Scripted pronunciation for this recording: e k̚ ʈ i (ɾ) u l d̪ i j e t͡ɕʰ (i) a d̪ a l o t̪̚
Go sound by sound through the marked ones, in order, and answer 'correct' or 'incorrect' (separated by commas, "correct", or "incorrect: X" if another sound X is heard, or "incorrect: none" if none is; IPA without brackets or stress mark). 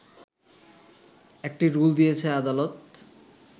correct, incorrect: e